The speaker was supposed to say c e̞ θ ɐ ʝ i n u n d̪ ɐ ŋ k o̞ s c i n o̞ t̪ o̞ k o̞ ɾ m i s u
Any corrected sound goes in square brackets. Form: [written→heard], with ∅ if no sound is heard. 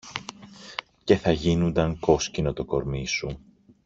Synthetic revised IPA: c e̞ θ ɐ ʝ i n u n d̪ ɐ ŋ k o̞ s c i n o̞ t̪ o̞ k o̞ ɾ m i s u